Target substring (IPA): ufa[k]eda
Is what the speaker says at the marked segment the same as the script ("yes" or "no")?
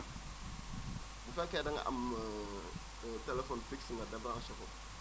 yes